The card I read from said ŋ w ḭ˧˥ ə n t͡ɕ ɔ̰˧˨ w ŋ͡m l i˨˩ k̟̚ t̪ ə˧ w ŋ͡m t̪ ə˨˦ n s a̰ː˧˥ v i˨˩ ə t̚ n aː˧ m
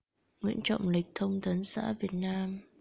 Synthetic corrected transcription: ŋ w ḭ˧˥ ə n t͡ɕ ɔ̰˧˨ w ŋ͡m l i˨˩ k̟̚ t̪ʰ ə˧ w ŋ͡m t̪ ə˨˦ n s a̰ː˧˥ v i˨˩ ə t̚ n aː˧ m